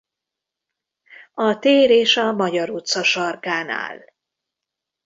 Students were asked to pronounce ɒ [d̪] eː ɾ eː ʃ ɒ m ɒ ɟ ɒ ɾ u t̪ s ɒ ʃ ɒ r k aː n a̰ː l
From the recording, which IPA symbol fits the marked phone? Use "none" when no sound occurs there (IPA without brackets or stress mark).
t̪